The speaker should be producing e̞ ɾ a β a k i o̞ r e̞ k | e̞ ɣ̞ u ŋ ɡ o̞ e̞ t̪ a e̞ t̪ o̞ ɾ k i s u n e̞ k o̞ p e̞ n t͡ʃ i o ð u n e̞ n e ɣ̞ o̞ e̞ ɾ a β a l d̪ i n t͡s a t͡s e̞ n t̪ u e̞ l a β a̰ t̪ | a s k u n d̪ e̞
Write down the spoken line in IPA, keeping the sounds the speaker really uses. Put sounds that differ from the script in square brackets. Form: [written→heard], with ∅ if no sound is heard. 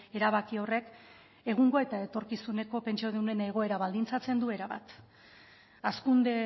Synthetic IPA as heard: e̞ ɾ a β a k i o̞ r e̞ k | e̞ ɣ̞ u ŋ ɡ o̞ e̞ t̪ a e̞ t̪ o̞ ɾ k i s u n e̞ k o̞ p e̞ n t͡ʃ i o ð u n e̞ n e ɣ̞ o̞ e̞ ɾ a β a l d̪ i n t͡s a t͡s e̞ n [t̪→d̪] u e̞ [l→ɾ] a β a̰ t̪ | a s k u n d̪ e̞